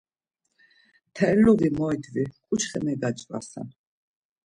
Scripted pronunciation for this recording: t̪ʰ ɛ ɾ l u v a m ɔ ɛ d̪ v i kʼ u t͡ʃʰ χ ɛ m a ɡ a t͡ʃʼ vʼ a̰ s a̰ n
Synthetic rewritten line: t̪ʰ ɛ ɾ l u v i m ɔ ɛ d̪ v i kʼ u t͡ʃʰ χ ɛ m ɛ ɡ a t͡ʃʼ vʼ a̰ s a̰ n